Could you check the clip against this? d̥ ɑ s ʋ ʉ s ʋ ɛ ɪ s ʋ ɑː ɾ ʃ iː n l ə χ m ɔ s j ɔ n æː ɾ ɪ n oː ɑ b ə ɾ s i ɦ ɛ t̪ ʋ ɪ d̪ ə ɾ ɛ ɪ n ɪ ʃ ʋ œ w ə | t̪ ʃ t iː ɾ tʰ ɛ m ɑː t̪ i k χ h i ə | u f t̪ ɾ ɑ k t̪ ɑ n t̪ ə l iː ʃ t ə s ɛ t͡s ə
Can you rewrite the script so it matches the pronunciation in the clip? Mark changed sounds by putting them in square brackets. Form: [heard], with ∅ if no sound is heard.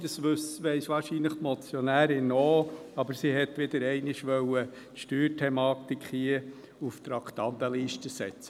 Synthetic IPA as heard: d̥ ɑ s ʋ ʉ s ʋ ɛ ɪ s ʋ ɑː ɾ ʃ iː n l ə χ m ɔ [t͡s] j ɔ n æː ɾ ɪ n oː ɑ b ə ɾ s i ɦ ɛ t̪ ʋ ɪ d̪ ə ɾ ɛ ɪ n ɪ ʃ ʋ œ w ə | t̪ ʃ t [yː] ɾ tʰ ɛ m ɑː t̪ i k χ h i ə | u f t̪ ɾ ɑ k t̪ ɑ n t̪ ə l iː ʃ t ə s ɛ t͡s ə

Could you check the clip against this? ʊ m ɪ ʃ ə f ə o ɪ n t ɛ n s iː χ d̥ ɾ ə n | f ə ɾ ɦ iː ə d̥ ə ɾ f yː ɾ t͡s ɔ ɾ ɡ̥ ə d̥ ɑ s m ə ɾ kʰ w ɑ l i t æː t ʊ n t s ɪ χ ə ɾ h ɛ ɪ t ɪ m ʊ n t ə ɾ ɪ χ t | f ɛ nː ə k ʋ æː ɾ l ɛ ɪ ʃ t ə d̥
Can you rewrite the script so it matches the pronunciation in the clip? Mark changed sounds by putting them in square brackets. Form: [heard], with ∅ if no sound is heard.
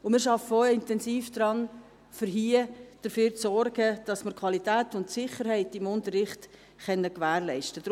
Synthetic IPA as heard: ʊ m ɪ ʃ [ɑ] f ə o ɪ n t ɛ n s iː [f] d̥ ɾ [ɑ] n | f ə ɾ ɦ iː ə d̥ ə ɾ f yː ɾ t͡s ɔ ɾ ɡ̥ ə d̥ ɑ s m ə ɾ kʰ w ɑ l i t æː t ʊ n t s ɪ χ ə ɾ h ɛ ɪ t ɪ m ʊ n t ə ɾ ɪ χ t | [χ] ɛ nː ə k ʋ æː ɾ l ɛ ɪ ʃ t ə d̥

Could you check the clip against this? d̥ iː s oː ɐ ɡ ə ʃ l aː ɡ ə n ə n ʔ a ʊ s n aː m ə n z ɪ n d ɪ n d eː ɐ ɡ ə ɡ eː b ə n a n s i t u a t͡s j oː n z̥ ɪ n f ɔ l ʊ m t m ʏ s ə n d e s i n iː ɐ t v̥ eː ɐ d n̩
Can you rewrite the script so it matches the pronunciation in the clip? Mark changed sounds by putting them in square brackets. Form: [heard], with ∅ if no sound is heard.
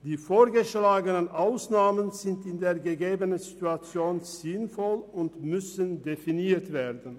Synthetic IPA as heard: d̥ iː [f] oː ɐ ɡ ə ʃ l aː ɡ ə n ə n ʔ a ʊ s n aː m ə n z ɪ n [t] ɪ n d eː ɐ ɡ ə ɡ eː b ə n [ə] n [z] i t u a t͡s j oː n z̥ ɪ n f ɔ l ʊ [n] t m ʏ s ə n d e [f] i n iː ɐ t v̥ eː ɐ d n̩

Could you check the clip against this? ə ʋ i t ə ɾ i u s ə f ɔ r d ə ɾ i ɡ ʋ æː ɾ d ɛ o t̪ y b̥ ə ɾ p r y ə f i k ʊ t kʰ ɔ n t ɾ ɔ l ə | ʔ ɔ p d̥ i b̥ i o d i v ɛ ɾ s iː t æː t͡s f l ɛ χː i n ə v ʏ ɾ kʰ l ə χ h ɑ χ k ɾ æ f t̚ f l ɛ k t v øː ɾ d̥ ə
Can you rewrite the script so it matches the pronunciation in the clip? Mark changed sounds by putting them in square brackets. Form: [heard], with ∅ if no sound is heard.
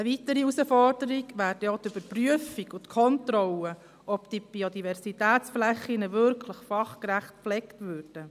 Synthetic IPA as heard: ə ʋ i t ə ɾ i u s ə f ɔ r d ə ɾ i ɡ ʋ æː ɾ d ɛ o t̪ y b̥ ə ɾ p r y ə f i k ʊ t kʰ ɔ n t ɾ ɔ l ə | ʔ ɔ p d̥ i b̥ i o d i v ɛ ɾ s [i] t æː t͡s f l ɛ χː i n ə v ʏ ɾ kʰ l ə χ [f] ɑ χ k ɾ æ [χ] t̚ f l ɛ k t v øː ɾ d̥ ə

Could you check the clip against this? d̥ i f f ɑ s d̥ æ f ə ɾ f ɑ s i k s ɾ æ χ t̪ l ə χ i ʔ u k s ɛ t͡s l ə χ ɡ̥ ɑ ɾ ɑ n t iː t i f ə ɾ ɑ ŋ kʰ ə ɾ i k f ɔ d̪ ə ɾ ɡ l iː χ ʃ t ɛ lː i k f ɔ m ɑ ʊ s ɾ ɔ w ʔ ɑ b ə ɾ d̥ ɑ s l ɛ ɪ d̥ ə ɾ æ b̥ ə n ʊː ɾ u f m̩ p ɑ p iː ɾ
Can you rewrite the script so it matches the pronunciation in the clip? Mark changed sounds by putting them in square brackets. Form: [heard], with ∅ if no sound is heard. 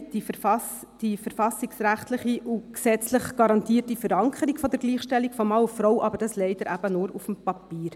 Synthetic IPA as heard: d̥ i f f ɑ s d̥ [i] f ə ɾ f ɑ s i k s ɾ æ χ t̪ l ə χ i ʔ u k s ɛ t͡s l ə χ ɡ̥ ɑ ɾ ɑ n t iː t i f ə ɾ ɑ ŋ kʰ ə ɾ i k f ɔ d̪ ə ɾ ɡ l iː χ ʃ t ɛ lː i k f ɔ m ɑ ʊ [f] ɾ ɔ w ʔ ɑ b ə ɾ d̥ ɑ s l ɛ ɪ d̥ ə ɾ æ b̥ ə n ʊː ɾ u f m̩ p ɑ p iː ɾ

